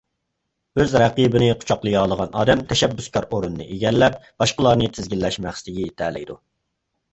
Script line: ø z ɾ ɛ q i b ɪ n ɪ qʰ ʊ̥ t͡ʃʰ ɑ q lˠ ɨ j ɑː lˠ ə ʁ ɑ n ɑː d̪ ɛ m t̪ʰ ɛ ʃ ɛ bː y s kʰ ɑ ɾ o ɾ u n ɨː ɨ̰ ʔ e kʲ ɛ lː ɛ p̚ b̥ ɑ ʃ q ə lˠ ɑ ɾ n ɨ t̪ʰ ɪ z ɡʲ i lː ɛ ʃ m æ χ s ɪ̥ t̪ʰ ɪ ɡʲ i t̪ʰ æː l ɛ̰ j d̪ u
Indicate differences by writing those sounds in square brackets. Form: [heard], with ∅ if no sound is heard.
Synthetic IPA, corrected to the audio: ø z ɾ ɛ q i b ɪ n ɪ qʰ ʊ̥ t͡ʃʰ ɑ q lˠ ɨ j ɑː lˠ ə ʁ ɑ n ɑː d̪ ɛ m t̪ʰ ɛ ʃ ɛ bː y s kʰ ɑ ɾ o ɾ u n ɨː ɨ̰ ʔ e [ɡʲ] ɛ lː ɛ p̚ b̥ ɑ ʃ q ə lˠ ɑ ɾ n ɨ t̪ʰ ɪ z ɡʲ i lː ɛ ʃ m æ χ s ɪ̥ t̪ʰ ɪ ɡʲ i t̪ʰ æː l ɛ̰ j d̪ u

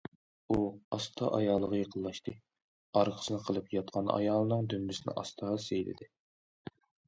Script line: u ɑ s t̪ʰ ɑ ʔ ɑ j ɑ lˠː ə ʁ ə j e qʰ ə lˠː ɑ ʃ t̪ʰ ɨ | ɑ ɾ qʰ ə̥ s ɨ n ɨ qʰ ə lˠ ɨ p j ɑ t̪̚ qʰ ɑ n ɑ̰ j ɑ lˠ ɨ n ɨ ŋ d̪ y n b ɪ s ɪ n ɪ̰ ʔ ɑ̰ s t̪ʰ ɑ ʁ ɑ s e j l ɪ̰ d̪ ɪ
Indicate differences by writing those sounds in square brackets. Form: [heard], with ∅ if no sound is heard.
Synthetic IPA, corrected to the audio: u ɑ s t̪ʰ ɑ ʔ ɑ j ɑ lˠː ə ʁ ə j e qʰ ə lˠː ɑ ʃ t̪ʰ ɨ | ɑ ɾ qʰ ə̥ s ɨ n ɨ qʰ ə lˠ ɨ p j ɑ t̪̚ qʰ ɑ n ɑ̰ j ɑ lˠ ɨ n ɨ ŋ d̪ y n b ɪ s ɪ n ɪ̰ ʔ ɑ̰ s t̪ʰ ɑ ʁ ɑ s e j l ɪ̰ d̪ ɪ

